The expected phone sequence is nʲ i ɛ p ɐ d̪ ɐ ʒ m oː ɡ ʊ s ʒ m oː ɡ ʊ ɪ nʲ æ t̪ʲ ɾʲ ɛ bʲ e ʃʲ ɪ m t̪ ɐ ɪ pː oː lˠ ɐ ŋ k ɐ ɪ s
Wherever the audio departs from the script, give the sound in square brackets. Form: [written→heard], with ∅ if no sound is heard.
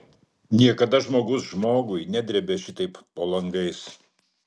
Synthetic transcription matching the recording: nʲ i ɛ [p→k] ɐ d̪ ɐ ʒ m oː ɡ ʊ s ʒ m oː ɡ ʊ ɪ nʲ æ [t̪ʲ→d̪ʲ] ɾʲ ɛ bʲ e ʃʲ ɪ [m→∅] t̪ ɐ ɪ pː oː lˠ ɐ ŋ [k→ɡ] ɐ ɪ s